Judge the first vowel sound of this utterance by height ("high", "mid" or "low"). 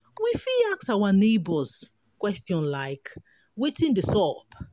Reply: high